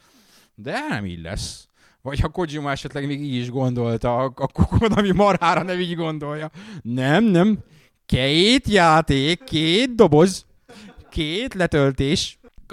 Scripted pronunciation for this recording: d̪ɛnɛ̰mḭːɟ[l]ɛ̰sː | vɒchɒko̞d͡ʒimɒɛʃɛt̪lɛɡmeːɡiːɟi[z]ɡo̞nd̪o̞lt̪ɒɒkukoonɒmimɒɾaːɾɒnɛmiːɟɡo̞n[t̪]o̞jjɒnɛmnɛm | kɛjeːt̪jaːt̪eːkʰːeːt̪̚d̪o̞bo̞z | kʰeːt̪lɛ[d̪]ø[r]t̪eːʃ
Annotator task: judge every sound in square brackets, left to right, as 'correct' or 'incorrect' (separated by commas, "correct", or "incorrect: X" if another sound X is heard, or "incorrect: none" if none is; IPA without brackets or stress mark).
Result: correct, incorrect: ʒ, incorrect: d̪, incorrect: t̪, incorrect: l